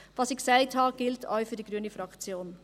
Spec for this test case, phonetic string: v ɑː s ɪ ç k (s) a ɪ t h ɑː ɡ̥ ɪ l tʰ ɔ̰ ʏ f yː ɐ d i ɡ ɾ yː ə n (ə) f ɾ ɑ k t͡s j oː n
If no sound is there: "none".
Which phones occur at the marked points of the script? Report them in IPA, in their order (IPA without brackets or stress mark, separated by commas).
s, ə